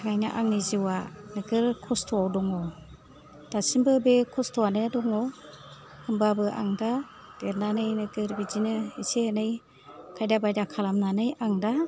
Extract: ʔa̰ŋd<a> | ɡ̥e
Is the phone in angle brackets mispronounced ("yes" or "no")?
no